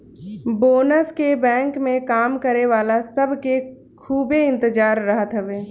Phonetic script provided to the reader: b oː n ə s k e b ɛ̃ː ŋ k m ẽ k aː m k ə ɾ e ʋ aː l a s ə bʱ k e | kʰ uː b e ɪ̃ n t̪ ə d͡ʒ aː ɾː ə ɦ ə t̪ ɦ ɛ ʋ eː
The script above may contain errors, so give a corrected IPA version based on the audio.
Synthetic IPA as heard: b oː n ə s k e b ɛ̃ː ŋ k m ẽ k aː m k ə ɾ e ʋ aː l a s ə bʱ k e | kʰ uː b e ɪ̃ n t̪ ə d͡ʒ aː ɾː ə ɦ ə t̪ ɦ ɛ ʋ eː